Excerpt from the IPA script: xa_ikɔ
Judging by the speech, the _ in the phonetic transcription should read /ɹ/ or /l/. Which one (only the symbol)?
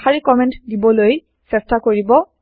ɹ